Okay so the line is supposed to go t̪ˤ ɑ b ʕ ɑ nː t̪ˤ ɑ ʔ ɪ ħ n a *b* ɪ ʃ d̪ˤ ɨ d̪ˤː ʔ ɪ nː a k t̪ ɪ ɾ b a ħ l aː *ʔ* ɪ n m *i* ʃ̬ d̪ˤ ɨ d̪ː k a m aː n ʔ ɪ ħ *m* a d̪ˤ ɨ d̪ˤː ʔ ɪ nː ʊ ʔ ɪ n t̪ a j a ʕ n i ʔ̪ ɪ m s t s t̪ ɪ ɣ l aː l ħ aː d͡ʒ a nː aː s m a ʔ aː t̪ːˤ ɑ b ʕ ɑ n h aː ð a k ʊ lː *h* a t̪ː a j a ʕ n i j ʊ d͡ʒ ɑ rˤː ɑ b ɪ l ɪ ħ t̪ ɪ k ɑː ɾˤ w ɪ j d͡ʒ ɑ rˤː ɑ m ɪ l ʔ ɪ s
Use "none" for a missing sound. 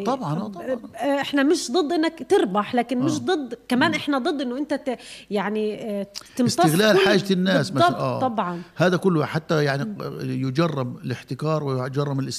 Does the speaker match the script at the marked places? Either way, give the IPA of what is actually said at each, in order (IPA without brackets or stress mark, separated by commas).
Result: m, k, ɪ, n, ħ